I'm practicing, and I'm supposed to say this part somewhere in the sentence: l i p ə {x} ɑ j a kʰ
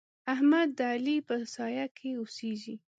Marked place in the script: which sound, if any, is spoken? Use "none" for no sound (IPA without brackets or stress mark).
s